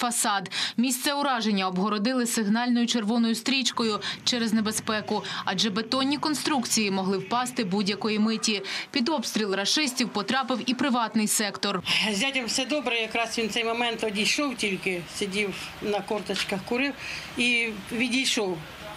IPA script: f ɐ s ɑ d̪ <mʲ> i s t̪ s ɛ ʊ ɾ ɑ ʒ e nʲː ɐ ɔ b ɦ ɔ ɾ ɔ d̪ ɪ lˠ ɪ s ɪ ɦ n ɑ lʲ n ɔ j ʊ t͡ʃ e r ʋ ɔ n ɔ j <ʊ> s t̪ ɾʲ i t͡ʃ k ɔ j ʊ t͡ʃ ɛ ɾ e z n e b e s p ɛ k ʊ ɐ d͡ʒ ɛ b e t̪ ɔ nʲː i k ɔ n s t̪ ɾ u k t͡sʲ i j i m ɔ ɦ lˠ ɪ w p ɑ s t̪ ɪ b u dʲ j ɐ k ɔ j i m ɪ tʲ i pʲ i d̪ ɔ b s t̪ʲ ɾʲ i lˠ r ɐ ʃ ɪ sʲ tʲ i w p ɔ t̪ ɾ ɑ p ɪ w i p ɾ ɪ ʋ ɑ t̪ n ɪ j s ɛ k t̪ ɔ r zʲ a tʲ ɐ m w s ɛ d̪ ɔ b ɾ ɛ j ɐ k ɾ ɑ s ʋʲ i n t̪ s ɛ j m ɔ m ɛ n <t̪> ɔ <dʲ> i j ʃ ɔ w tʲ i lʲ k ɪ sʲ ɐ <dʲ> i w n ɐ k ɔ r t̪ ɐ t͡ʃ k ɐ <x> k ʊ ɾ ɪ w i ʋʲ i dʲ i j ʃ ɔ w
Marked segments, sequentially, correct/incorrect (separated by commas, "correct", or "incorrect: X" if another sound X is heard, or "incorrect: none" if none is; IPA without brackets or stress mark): correct, correct, correct, correct, correct, correct